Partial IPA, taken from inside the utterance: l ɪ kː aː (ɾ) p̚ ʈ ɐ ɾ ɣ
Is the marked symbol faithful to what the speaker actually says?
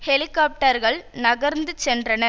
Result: no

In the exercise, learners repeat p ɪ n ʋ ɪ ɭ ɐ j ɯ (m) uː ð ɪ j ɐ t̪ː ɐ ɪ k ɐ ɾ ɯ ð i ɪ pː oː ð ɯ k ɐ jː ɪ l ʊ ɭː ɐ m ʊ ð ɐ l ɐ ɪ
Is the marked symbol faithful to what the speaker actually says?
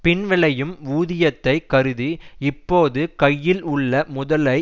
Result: yes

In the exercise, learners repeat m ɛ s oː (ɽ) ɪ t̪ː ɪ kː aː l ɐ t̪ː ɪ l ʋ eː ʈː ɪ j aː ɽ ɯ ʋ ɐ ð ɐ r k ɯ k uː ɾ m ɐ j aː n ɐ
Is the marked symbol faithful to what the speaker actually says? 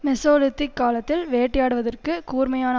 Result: no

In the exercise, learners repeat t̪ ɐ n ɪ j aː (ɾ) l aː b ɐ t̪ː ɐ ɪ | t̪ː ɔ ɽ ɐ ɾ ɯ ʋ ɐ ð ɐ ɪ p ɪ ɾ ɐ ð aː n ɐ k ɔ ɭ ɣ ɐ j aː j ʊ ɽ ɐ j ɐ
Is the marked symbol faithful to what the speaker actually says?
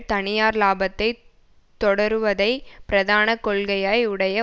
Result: yes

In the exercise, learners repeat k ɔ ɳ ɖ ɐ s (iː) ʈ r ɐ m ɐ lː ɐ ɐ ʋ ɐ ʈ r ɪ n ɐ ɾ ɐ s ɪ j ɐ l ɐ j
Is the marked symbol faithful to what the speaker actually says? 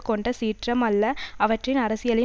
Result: yes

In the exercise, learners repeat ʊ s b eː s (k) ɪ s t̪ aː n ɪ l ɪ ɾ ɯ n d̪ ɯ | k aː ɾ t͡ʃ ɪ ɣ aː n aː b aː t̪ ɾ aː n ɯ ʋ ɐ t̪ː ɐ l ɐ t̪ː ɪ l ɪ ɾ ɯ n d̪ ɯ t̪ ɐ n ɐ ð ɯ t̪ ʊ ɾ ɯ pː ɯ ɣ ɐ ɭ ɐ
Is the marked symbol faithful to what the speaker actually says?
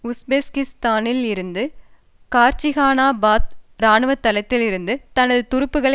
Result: yes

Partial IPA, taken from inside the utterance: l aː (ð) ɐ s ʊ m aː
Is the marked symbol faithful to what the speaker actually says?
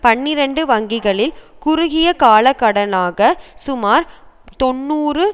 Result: no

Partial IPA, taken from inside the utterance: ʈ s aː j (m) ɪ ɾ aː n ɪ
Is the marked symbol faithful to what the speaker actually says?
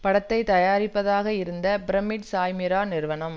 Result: yes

